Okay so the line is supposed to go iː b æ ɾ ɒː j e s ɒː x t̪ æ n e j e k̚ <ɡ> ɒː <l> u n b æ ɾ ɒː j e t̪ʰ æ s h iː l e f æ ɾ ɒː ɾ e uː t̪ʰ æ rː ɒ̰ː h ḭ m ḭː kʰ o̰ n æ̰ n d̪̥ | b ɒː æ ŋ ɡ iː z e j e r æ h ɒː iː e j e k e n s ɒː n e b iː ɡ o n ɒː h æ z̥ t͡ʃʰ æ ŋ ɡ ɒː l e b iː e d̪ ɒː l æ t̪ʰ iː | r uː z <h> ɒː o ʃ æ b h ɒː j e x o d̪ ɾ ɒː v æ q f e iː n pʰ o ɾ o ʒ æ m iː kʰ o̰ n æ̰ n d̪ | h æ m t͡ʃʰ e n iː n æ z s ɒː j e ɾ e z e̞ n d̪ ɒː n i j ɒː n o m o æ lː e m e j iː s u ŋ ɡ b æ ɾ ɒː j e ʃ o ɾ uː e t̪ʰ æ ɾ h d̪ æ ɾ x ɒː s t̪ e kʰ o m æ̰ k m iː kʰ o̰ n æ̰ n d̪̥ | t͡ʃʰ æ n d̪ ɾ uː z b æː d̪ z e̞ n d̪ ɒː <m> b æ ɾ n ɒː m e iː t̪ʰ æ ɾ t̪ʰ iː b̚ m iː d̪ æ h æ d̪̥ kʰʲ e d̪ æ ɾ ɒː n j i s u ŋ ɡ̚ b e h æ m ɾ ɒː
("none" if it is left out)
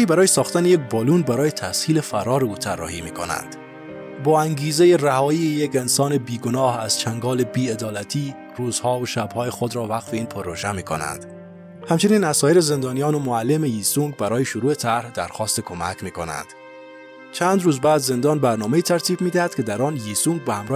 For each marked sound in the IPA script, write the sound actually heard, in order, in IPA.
b, l, h, n

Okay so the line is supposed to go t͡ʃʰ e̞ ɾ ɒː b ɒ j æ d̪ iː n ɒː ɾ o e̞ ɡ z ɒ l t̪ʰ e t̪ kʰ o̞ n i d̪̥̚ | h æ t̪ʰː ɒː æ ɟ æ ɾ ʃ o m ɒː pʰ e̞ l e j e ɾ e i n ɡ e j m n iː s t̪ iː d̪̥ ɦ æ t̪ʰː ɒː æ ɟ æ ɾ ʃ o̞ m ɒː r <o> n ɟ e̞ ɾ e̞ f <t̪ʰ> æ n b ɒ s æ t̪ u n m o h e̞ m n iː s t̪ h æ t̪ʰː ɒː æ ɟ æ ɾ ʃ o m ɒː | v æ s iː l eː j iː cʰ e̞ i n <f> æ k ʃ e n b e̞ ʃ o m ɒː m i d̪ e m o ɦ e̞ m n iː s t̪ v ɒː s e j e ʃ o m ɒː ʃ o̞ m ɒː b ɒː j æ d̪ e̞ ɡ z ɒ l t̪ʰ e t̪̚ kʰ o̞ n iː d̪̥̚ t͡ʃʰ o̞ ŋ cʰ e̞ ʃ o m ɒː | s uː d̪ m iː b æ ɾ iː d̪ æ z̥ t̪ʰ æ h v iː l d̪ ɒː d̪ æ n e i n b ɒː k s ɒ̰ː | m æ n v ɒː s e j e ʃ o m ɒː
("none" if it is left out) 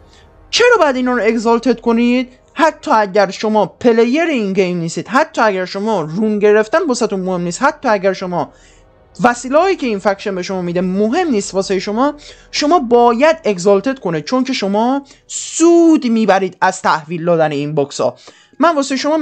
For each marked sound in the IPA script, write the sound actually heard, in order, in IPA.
u, t̪, f

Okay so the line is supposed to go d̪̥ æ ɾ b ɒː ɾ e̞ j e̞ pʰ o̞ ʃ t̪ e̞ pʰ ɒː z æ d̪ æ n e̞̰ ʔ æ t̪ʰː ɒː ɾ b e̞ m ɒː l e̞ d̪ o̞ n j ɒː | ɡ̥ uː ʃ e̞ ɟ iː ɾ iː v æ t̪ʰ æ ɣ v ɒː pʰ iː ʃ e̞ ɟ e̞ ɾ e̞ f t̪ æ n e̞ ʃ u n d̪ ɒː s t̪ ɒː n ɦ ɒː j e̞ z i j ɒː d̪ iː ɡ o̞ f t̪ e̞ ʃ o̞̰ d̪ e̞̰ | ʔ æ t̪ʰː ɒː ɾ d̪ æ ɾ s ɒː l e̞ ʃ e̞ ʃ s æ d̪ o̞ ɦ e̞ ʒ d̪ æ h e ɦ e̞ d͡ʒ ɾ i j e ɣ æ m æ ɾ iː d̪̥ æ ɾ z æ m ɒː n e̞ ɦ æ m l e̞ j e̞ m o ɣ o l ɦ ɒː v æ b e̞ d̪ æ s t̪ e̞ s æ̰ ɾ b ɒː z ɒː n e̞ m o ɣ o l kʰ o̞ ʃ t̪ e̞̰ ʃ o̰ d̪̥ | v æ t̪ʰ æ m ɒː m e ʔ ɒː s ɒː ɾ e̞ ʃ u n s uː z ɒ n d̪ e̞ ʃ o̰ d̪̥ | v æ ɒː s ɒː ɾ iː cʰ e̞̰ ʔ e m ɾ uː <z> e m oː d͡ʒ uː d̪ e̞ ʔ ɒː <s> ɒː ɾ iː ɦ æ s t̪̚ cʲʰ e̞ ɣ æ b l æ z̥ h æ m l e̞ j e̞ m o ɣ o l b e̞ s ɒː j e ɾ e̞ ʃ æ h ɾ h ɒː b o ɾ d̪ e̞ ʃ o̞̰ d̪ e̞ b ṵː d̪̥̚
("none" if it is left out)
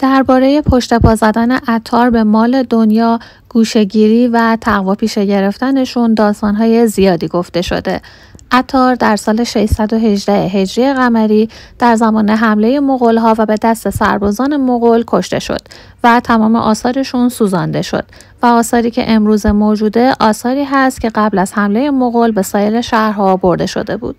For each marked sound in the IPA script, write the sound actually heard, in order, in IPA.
z, s

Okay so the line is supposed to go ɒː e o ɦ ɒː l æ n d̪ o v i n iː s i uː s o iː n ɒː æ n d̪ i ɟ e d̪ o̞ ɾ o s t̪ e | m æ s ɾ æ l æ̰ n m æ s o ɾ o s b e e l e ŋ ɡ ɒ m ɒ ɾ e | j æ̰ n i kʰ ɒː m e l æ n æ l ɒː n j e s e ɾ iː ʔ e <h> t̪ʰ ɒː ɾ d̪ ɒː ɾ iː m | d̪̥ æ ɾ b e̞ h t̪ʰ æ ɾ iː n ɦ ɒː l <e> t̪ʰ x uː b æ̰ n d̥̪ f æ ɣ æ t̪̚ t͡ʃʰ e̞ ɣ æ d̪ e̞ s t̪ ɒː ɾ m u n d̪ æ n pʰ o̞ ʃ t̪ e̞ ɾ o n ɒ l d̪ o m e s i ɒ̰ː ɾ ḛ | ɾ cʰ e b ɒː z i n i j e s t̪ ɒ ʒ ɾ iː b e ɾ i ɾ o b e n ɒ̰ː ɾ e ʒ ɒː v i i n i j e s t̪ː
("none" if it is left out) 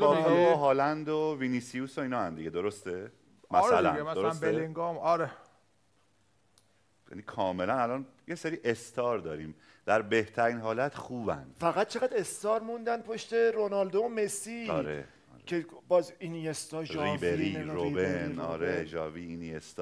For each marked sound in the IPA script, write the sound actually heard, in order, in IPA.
s, æ

